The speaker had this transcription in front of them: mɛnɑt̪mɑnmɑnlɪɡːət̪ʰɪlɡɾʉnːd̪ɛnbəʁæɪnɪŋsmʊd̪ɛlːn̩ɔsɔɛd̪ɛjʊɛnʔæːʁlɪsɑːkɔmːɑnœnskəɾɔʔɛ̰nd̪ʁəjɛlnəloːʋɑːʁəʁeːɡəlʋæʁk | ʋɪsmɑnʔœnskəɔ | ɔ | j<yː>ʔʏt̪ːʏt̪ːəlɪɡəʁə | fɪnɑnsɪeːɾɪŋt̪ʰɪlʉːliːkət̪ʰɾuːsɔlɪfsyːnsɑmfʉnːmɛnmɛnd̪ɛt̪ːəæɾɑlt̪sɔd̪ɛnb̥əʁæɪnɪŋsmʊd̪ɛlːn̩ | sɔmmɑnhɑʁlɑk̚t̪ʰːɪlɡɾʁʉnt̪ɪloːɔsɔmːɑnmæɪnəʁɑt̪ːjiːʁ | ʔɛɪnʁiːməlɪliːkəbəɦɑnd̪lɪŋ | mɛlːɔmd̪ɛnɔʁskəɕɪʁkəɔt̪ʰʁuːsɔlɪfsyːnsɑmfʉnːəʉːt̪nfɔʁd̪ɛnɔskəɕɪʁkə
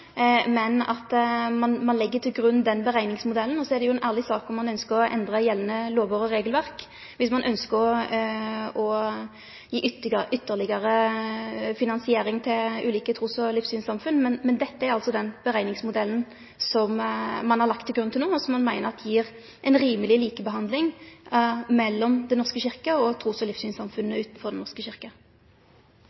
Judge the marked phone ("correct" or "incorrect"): incorrect